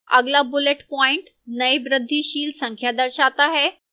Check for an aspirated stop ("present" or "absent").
present